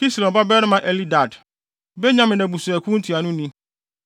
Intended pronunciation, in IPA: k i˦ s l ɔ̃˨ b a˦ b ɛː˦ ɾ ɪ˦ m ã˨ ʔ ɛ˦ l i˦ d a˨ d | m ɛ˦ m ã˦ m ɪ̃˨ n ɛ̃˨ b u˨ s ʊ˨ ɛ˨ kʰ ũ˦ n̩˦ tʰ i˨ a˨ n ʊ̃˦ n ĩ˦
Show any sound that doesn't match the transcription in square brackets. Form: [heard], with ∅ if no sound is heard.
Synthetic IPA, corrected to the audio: k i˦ s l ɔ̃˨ b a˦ b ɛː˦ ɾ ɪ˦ m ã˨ ʔ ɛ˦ l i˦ d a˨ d | [b] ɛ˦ [ɲ] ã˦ m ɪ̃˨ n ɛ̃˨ b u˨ s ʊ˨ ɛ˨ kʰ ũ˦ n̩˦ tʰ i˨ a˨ n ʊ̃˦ n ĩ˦